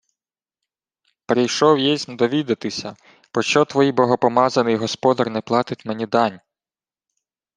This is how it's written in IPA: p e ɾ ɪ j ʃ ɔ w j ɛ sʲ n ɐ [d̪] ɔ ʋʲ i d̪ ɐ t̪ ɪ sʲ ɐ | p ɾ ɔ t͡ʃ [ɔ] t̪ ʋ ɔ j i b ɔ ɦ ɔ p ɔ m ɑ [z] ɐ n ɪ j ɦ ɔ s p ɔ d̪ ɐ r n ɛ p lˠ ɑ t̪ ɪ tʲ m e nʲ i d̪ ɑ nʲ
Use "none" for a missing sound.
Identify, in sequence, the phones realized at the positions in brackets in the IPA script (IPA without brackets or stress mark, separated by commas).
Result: d̪, ɔ, z